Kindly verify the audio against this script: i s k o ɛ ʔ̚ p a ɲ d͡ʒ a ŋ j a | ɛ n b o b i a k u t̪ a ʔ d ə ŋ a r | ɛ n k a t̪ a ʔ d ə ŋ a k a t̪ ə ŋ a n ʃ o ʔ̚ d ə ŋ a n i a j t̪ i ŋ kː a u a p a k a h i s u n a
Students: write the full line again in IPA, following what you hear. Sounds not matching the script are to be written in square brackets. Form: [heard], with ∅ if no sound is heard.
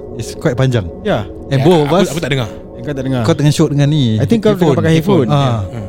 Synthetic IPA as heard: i s k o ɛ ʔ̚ p a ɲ d͡ʒ a ŋ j a | ɛ n b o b [a] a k u t̪ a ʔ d ə ŋ a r | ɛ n k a t̪ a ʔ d ə ŋ a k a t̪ ə ŋ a n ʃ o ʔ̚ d ə ŋ a n i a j t̪ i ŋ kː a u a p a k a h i [f] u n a